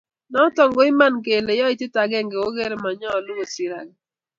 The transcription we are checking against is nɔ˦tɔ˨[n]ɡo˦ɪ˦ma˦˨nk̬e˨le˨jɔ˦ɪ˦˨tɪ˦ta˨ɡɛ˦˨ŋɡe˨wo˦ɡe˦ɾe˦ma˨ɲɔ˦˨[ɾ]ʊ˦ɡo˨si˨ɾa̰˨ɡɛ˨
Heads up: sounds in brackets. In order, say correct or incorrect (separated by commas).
incorrect, incorrect